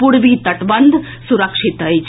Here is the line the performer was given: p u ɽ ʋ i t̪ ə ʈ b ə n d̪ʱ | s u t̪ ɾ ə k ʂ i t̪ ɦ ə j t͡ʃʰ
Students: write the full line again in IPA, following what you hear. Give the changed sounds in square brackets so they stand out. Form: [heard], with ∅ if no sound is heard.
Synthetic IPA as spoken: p u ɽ ʋ i t̪ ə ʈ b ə n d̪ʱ | s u [∅] ɾ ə k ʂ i t̪ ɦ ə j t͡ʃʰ